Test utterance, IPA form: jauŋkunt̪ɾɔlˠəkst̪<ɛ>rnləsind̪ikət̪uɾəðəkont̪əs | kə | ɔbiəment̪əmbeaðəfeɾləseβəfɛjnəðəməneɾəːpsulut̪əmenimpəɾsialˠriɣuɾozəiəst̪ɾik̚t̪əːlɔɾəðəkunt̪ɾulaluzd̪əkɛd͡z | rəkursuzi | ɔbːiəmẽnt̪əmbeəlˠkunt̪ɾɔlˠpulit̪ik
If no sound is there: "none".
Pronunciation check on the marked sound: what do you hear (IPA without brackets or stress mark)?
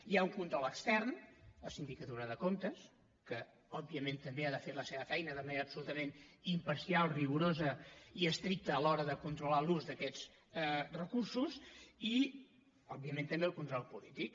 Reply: ɛ